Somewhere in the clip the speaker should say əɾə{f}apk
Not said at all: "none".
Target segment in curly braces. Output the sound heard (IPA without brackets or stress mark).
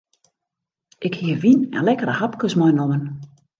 h